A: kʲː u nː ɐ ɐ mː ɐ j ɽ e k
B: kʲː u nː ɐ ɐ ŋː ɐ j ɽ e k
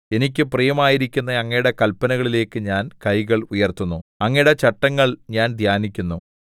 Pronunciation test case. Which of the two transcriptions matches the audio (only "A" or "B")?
B